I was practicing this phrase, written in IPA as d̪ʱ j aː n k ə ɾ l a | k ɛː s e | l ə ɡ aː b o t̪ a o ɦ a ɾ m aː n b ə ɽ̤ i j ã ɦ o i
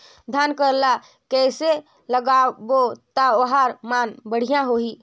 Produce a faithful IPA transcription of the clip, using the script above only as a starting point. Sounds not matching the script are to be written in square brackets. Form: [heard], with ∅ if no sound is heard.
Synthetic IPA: d̪ʱ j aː n k ə ɾ l a | k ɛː s e | l ə ɡ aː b o t̪ a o ɦ a ɾ m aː n b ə ɽ̤ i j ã ɦ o i